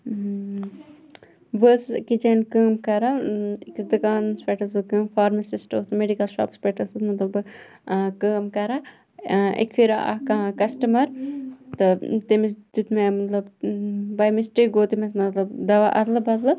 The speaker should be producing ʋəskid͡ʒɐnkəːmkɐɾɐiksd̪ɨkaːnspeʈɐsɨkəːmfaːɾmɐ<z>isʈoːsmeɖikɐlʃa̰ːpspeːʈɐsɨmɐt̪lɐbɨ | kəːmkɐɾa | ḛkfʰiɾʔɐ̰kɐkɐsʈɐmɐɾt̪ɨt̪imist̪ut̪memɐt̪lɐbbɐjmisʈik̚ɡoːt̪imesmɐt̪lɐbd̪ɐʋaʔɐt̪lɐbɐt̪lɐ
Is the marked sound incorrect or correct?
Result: incorrect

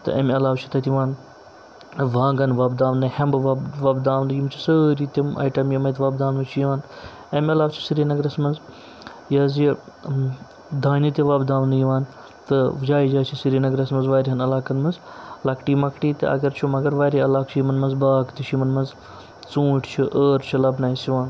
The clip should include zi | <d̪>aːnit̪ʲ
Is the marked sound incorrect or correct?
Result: correct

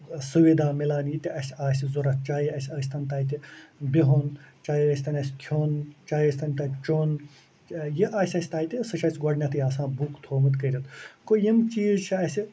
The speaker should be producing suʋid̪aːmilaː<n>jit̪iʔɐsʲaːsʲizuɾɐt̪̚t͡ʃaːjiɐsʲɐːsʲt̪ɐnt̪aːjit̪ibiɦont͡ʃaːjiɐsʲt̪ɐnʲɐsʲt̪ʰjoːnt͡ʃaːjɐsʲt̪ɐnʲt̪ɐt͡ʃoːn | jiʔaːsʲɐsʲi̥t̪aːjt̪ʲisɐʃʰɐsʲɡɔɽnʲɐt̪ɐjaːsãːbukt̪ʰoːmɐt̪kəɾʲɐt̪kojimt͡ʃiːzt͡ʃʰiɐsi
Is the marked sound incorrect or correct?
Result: correct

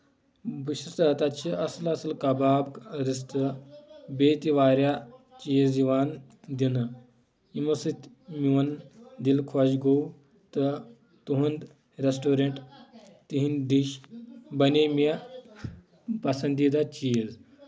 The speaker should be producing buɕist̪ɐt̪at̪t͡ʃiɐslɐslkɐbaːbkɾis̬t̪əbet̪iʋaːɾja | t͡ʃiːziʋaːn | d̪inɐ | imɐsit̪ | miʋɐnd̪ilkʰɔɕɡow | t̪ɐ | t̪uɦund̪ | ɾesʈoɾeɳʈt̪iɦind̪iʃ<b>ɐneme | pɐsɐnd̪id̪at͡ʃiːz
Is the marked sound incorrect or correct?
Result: correct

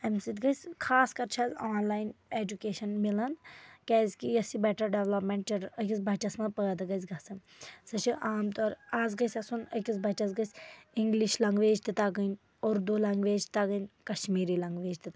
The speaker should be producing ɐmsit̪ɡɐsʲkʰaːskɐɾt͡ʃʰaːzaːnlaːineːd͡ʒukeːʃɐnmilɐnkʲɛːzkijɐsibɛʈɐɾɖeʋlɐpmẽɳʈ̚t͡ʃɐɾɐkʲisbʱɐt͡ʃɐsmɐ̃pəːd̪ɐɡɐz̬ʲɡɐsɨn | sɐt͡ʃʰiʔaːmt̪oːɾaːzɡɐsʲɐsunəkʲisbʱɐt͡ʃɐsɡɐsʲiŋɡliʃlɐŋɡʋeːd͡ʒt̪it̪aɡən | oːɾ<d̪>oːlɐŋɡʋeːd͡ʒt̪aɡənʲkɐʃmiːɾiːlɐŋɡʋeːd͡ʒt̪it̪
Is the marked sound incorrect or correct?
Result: correct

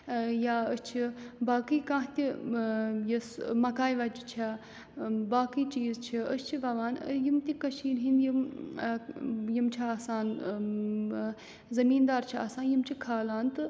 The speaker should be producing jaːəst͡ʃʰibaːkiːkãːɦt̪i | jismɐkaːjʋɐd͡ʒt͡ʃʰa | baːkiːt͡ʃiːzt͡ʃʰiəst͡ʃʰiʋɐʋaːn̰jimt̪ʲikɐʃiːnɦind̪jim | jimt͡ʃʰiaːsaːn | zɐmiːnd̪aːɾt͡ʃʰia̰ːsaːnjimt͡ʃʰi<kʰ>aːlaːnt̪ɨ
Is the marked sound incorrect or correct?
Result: correct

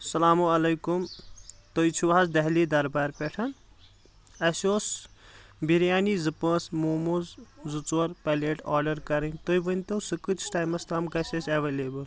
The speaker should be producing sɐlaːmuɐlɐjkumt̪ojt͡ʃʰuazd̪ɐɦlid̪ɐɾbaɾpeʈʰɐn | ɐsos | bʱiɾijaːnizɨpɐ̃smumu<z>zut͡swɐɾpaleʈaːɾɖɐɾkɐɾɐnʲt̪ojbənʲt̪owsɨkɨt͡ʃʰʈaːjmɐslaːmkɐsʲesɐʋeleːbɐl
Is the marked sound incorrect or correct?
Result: correct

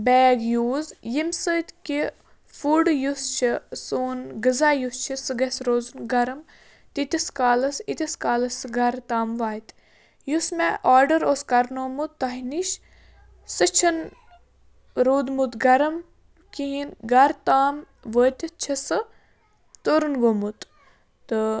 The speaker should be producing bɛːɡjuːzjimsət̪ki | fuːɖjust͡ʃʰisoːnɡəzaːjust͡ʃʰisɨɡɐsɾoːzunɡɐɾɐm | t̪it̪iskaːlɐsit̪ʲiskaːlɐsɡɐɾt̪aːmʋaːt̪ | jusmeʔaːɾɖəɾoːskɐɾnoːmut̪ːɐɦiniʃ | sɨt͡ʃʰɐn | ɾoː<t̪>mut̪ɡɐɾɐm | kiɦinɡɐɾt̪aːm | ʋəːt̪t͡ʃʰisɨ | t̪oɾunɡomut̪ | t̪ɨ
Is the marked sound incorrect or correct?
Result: incorrect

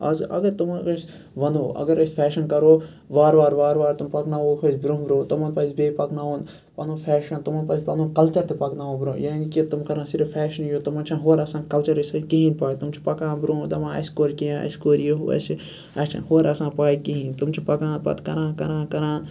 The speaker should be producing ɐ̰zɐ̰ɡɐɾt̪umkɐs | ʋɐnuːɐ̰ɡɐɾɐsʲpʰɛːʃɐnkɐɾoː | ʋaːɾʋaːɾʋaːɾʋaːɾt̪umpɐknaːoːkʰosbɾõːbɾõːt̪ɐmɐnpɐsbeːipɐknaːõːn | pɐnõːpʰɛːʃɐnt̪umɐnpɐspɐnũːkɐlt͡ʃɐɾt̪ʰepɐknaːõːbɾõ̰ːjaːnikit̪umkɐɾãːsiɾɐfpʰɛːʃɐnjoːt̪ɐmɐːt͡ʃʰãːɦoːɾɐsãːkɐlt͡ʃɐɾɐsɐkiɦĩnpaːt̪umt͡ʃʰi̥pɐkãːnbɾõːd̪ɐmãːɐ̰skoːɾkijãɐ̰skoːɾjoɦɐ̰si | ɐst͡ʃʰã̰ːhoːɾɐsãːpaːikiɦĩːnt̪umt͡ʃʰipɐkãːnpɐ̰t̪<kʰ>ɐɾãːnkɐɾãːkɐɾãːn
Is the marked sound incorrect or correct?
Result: incorrect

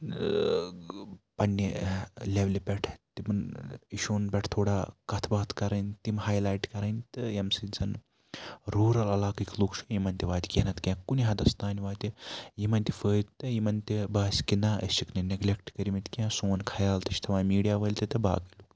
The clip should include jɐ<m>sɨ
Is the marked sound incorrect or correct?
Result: correct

